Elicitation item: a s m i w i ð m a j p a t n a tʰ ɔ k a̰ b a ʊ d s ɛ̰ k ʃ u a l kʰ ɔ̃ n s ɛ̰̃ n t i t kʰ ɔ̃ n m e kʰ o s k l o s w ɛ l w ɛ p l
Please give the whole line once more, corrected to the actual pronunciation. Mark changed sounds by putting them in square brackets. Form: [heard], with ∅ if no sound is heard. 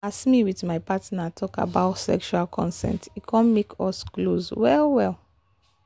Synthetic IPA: a s m i w i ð m a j p a t n a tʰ ɔ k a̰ b a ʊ [t] s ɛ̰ k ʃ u a l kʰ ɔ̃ n s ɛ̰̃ n t i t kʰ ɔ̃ n m e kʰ [ɔ] s k l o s w ɛ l w ɛ [∅] l